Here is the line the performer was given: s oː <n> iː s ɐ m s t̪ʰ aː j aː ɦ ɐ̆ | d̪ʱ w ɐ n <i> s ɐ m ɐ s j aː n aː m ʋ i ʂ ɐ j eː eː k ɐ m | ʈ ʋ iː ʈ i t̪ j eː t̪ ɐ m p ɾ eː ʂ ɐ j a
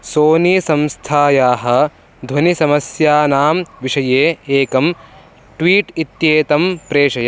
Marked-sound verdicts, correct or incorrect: correct, correct

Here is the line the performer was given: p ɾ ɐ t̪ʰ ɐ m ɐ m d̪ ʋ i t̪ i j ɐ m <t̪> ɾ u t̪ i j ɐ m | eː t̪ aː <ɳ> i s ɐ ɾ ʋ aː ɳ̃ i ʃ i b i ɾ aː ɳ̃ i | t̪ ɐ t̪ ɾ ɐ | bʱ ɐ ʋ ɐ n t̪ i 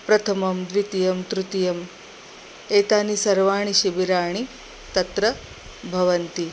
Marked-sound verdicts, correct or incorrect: correct, incorrect: n

